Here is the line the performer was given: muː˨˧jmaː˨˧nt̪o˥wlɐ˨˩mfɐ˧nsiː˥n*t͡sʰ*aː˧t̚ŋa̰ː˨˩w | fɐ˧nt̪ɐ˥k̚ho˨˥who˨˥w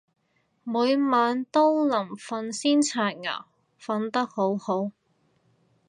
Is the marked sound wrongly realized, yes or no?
no